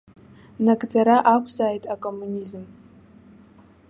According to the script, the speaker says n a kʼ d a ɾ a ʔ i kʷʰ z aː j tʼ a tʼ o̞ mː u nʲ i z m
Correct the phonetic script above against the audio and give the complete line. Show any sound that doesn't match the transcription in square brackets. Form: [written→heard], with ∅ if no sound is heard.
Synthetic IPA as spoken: n a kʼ [d→d͡z] a ɾ a ʔ [i→a] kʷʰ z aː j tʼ a [tʼ→kʼ] o̞ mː u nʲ i z m